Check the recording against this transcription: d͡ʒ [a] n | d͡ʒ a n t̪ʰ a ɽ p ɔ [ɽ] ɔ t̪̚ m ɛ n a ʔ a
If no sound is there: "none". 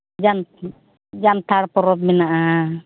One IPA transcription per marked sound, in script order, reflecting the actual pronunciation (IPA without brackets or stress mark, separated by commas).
a, ɾ